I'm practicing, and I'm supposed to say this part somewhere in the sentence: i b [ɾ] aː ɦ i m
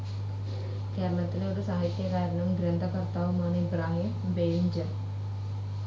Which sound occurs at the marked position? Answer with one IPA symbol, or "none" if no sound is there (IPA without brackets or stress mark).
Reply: ɾ